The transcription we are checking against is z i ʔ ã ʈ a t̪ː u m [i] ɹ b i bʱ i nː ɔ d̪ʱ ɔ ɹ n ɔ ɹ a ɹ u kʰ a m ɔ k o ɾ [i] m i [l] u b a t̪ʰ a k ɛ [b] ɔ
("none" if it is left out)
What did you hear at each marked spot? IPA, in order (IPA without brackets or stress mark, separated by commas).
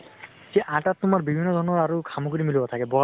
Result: a, i, l, b